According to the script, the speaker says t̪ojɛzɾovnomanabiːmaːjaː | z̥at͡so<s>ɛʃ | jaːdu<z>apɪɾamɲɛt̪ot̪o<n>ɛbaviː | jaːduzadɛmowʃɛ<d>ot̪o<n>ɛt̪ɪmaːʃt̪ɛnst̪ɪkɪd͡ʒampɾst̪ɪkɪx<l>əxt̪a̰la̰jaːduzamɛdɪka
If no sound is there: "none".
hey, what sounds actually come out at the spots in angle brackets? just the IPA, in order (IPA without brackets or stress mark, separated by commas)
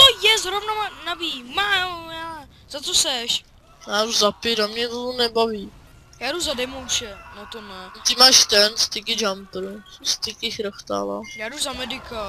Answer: s, z, n, n, n, ɾ